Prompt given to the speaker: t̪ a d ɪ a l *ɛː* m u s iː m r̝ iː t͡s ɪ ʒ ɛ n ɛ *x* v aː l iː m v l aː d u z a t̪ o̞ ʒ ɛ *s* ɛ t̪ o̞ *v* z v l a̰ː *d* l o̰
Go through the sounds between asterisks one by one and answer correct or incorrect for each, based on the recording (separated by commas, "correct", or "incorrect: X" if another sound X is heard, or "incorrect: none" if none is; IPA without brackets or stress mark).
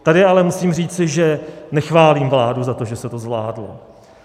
incorrect: ɛ, correct, correct, incorrect: none, correct